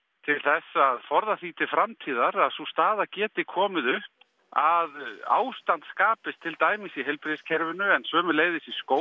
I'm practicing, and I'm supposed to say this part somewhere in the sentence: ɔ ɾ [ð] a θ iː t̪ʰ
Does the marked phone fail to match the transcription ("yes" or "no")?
no